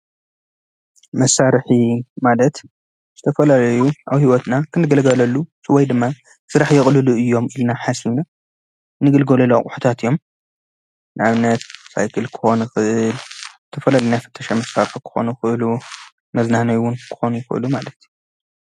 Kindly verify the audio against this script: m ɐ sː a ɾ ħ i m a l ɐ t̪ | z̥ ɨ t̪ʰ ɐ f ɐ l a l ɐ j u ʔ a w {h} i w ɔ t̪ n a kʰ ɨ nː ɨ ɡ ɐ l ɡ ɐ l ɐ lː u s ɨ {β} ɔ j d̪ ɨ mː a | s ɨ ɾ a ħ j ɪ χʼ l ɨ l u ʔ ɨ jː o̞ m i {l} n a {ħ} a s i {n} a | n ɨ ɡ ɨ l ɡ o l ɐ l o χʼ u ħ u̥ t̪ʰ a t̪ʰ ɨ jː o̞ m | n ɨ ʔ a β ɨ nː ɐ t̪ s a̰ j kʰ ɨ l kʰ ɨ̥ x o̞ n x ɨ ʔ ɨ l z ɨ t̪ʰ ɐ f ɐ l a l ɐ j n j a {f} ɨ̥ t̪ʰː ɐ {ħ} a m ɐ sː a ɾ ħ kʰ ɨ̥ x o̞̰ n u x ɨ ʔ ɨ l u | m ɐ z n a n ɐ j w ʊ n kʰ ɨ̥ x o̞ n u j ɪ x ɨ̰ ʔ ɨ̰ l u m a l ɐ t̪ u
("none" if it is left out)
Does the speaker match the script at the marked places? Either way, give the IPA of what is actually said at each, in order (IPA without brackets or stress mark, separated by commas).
h, w, l, ħ, n, f, ʃ